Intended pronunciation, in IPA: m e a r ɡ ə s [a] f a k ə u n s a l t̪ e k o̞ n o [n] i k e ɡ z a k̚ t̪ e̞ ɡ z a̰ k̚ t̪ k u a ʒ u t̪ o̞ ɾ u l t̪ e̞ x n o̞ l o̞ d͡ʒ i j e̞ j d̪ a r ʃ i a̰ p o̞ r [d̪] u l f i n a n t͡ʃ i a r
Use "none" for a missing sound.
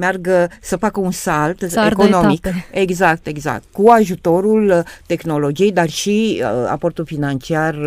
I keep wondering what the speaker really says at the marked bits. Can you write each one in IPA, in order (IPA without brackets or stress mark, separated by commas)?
ə, m, t̪